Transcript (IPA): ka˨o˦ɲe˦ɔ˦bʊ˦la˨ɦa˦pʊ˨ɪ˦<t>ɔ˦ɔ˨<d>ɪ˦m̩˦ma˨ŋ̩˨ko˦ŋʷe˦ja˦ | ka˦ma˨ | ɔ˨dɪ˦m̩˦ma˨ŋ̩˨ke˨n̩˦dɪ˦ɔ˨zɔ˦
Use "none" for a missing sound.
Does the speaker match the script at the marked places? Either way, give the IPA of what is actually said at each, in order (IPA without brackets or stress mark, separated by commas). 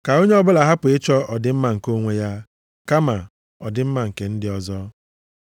t͡ʃ, d